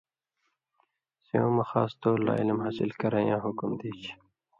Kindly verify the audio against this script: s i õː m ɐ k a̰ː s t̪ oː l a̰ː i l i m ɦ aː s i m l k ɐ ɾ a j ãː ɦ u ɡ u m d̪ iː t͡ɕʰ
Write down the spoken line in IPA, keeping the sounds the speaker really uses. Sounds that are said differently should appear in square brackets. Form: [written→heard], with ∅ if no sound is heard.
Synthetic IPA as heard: s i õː m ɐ [k→x] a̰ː s t̪ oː l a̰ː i l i m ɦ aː s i [m→∅] l k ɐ ɾ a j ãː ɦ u [ɡ→k] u m d̪ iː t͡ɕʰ

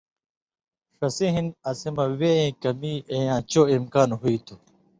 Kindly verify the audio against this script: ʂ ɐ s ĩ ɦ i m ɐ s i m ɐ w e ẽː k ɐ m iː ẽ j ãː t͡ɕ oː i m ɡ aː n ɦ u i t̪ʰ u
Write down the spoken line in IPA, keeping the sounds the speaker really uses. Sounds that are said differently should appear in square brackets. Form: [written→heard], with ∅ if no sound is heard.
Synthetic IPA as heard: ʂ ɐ s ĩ ɦ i [m→n] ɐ s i m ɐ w e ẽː k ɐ m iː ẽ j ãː t͡ɕ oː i m [ɡ→k] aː n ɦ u i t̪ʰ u

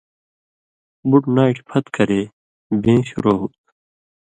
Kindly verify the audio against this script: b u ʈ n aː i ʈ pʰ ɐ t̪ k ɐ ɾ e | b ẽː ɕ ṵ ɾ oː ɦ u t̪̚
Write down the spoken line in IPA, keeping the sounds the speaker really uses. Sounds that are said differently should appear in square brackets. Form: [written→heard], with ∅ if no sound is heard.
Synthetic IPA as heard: b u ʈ n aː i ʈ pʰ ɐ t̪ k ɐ ɾ e | b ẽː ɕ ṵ ɾ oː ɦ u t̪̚

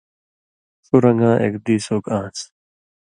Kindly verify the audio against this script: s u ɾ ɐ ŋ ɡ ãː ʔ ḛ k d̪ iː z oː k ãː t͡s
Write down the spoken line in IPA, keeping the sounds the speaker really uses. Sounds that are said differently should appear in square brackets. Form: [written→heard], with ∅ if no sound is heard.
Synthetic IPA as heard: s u ɾ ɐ ŋ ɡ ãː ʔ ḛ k d̪ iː [z→s] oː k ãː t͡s

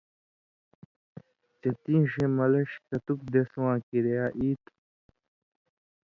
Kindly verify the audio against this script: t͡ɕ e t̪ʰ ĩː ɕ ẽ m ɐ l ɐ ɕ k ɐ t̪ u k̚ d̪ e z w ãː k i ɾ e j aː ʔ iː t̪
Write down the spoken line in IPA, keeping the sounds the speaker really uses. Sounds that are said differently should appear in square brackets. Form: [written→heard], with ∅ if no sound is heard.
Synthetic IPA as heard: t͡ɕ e [t̪ʰ→t̪] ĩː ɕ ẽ m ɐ l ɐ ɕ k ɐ t̪ u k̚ d̪ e [z→s] w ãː k i ɾ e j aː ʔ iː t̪

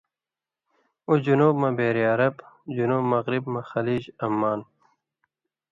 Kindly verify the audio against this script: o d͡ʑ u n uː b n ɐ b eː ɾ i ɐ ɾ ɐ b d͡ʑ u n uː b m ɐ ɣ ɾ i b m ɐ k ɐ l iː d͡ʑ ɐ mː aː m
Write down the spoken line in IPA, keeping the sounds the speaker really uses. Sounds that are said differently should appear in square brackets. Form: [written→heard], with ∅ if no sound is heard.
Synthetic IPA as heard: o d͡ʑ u n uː b [n→m] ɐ b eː ɾ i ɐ ɾ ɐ b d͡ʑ u n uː b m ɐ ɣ ɾ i b m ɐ [k→x] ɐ l iː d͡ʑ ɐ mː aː [m→n]

